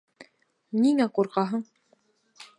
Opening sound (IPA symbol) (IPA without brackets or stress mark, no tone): n